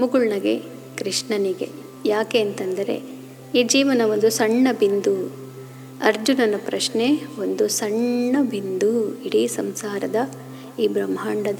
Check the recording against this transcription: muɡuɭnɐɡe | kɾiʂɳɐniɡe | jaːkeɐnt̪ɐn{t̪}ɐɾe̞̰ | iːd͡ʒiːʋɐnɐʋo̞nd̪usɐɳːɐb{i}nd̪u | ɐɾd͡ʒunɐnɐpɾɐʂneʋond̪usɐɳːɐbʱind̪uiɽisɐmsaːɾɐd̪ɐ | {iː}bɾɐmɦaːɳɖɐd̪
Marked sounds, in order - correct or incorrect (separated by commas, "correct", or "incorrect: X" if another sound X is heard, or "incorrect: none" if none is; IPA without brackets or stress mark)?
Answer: incorrect: d̪, correct, correct